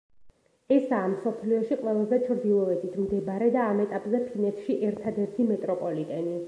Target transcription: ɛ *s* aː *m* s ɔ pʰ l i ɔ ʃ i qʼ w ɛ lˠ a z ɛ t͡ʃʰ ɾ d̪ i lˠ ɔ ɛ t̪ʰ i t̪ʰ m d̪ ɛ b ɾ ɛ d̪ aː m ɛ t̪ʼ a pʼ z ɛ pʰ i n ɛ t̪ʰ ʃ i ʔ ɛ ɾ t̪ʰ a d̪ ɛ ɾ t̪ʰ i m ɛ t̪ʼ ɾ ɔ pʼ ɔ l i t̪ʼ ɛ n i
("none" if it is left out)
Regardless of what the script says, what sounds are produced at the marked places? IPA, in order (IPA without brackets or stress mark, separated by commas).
s, m